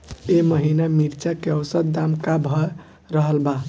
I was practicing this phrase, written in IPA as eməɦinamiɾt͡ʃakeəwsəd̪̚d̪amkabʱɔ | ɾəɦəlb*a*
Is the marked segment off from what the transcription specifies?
no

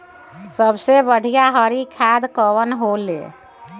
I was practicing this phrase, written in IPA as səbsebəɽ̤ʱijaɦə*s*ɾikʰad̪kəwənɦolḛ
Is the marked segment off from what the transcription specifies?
yes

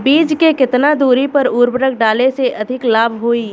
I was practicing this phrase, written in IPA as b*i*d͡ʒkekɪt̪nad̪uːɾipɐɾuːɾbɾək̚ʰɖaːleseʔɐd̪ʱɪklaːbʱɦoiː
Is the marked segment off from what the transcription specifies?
yes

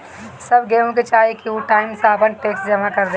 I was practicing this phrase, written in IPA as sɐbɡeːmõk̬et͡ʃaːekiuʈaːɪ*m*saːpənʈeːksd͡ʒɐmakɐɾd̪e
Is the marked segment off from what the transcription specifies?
no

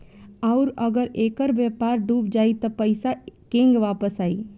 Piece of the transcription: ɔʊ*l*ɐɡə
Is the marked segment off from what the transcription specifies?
yes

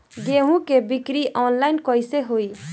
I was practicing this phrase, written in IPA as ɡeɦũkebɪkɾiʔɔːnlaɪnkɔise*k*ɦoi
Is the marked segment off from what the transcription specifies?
yes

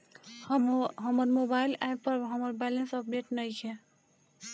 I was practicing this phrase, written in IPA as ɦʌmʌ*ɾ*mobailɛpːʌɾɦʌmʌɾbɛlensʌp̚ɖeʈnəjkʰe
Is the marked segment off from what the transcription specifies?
no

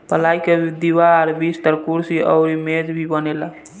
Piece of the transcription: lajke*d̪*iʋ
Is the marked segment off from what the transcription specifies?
no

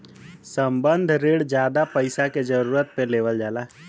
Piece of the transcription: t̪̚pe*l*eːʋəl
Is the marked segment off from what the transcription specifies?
no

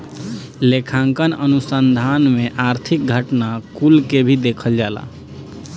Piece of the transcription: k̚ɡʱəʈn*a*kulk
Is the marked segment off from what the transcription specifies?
no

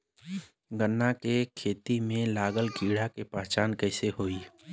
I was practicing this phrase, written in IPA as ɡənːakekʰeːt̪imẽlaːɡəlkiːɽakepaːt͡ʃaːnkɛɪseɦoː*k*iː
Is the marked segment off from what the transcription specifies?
yes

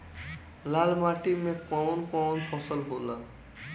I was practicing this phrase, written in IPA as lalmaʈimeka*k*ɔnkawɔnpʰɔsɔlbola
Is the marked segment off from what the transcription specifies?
yes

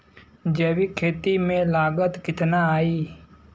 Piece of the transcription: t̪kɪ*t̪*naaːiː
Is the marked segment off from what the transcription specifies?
no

